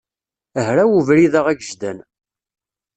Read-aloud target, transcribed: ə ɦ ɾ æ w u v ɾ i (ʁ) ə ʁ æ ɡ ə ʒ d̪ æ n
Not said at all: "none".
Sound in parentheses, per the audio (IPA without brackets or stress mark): ð